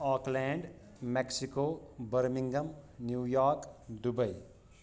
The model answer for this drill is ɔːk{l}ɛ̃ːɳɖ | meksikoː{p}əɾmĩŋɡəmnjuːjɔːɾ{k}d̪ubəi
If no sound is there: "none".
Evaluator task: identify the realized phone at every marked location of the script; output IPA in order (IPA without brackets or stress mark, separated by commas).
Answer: l, b, k